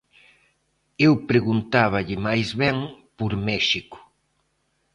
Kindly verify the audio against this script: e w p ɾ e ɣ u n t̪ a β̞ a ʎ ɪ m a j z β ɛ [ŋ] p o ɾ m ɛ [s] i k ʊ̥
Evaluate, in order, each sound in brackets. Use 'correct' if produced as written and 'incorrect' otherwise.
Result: correct, incorrect

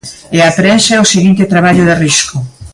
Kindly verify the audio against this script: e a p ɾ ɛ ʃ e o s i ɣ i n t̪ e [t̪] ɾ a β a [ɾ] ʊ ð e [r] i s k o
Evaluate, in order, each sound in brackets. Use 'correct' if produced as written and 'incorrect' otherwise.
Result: correct, incorrect, correct

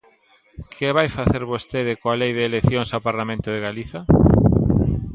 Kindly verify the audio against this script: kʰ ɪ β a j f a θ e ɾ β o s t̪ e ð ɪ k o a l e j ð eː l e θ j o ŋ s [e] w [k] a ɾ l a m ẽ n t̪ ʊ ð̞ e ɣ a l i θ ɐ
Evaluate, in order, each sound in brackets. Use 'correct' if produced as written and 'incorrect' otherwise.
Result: incorrect, incorrect

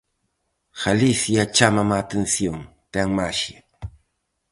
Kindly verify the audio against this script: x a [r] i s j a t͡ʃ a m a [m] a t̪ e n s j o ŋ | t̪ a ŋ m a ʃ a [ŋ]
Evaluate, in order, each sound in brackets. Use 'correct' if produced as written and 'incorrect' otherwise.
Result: incorrect, correct, incorrect

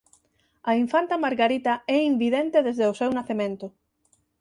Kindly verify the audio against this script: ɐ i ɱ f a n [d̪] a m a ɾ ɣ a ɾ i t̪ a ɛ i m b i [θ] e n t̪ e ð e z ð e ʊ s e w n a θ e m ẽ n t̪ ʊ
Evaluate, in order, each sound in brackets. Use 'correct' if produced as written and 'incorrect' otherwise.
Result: incorrect, incorrect

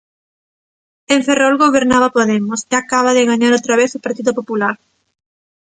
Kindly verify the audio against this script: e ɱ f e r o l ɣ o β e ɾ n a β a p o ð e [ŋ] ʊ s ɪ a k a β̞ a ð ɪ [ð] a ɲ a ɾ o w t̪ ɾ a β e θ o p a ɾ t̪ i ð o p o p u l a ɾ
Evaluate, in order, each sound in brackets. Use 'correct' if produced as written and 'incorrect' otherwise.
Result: incorrect, incorrect

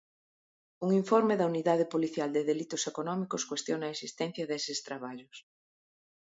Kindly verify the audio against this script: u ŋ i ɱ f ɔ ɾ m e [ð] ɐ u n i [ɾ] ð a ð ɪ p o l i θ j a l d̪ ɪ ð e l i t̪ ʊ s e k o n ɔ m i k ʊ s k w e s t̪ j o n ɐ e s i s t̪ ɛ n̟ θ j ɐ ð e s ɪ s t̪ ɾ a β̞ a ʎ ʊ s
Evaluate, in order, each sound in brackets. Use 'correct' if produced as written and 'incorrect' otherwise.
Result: correct, incorrect

